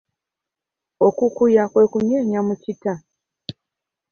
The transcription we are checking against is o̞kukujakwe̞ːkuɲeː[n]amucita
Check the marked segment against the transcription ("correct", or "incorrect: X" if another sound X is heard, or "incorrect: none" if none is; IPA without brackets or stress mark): incorrect: ɲ